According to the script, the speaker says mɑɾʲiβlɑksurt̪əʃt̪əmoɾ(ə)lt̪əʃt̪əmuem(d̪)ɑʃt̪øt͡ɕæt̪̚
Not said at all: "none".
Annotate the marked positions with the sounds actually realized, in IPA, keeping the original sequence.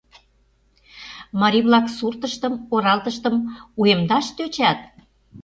ɑ, d̪

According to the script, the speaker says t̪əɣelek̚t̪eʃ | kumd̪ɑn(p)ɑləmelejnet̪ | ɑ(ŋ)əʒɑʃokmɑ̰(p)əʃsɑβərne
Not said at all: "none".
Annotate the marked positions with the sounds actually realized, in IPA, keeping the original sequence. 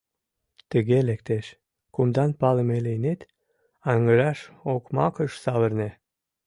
p, ŋ, k

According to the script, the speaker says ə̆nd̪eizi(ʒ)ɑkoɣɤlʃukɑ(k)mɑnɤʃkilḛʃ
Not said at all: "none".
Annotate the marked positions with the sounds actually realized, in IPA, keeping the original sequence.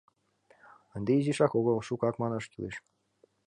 ʃ, k

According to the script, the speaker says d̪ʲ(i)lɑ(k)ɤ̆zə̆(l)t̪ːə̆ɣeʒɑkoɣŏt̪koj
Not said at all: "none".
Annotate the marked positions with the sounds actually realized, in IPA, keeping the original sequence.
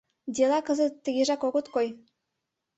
e, k, none

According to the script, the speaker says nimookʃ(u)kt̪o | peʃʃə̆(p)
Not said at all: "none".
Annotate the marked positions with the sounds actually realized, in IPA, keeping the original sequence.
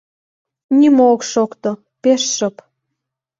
o, p

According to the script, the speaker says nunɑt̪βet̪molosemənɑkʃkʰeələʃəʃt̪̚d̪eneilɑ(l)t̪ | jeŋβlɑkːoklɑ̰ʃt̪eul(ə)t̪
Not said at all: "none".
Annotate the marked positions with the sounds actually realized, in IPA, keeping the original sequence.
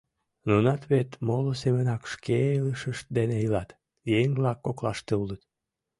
none, ə

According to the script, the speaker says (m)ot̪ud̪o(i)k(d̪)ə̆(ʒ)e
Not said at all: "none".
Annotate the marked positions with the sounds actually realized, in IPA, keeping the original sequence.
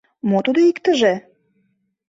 m, i, t̪, ʒ

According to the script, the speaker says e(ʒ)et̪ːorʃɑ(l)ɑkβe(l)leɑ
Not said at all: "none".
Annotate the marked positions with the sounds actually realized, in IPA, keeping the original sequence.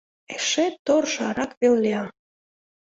ʃ, ɾ, l

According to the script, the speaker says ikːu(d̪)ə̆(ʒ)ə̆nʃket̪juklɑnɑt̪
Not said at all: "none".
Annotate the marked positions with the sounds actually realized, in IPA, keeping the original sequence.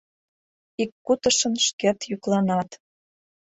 t̪, ʃ

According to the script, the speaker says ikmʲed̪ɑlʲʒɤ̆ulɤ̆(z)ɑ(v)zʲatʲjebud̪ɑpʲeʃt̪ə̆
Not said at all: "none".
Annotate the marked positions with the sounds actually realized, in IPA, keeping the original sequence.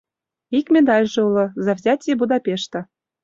z, v

